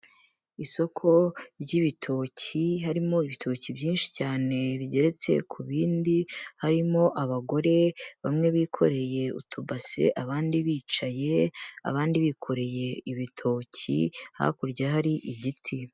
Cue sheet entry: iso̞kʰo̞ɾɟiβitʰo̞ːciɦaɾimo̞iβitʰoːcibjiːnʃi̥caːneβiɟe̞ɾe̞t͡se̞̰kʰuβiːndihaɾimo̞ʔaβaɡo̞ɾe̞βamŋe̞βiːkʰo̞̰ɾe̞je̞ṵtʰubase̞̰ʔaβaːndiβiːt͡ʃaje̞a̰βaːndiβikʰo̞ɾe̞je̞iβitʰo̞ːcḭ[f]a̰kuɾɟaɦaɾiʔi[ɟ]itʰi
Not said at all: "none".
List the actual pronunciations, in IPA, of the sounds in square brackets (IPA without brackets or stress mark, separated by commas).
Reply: h, ɟ